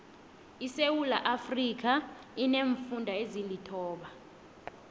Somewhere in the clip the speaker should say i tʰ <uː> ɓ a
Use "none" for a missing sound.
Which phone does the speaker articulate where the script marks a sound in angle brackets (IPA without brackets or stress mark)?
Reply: ɔː